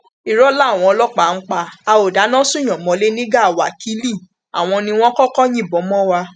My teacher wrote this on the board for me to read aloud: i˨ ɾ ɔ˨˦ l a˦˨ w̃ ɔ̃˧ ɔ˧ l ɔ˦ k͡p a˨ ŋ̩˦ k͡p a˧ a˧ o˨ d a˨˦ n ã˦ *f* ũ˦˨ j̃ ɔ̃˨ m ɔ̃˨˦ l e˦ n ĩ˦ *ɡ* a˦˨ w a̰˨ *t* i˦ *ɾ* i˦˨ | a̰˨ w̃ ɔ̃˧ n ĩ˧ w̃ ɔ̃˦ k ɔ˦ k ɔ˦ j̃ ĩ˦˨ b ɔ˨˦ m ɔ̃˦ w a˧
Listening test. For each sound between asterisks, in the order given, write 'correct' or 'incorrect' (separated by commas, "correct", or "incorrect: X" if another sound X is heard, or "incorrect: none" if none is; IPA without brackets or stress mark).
incorrect: s, correct, incorrect: k, incorrect: l